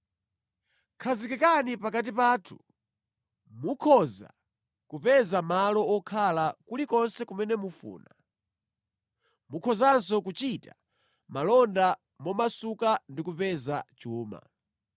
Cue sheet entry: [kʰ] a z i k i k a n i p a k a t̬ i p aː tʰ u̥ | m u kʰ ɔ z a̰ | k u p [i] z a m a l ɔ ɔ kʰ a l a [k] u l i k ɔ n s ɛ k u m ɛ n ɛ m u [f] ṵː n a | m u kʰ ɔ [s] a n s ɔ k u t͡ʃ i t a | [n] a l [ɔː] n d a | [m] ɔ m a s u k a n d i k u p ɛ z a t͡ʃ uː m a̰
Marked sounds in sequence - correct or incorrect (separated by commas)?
correct, incorrect, correct, correct, incorrect, incorrect, incorrect, correct